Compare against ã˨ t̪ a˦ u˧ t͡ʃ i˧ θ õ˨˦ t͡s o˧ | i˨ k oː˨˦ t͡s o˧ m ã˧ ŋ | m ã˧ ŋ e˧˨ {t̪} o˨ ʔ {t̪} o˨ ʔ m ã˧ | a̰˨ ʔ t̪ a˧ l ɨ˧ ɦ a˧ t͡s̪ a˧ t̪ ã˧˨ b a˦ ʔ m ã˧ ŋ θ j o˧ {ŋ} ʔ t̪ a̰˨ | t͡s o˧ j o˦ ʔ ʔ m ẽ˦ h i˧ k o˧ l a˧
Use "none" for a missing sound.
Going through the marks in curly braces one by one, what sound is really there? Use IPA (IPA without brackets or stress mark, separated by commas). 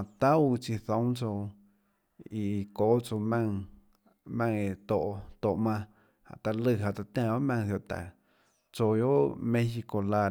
t̪, t̪, none